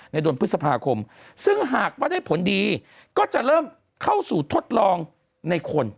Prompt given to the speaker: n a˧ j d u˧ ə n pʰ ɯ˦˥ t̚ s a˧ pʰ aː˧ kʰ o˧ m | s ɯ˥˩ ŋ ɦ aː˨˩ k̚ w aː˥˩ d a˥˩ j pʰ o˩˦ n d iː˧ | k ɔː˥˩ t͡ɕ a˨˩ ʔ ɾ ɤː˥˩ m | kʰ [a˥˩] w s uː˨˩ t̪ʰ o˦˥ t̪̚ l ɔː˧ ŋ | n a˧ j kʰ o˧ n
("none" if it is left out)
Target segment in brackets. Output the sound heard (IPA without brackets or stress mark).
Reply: a˥˩